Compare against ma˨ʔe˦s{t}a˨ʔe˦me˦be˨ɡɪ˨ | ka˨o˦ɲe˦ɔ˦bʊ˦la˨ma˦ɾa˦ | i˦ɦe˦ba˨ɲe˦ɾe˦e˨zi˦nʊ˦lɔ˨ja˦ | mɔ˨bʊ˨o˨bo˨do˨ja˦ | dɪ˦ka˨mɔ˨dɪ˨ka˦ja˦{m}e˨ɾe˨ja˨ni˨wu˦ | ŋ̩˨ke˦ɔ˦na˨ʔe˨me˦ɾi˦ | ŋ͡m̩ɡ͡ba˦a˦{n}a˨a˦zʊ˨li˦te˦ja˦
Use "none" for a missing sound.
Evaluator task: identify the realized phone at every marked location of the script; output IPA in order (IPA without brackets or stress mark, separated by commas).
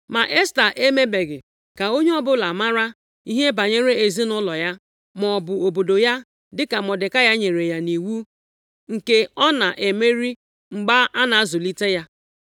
t, ɲ, n